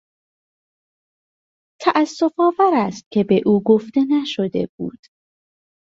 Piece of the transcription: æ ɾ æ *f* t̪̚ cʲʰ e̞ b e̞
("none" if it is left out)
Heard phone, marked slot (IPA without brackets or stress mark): s